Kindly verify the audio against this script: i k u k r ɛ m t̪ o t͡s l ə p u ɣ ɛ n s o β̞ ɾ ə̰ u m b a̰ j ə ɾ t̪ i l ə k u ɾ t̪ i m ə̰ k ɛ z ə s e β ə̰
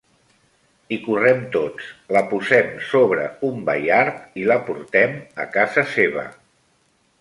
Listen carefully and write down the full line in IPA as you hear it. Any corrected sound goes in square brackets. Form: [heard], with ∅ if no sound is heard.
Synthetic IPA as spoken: i k u [∅] r ɛ m t̪ o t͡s l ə p u [z] ɛ [m] s o β̞ ɾ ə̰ u m b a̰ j [a] ɾ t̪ i l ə [p] u ɾ t̪ [ɛ] m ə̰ k [a] z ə s e β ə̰